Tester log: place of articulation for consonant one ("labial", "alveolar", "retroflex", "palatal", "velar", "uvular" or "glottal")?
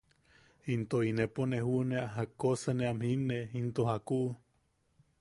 alveolar